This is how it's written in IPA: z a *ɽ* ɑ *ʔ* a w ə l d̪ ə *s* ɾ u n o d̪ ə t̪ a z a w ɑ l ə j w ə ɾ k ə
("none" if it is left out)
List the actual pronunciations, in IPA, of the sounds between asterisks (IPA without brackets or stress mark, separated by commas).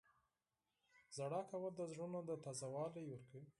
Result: ɽ, k, z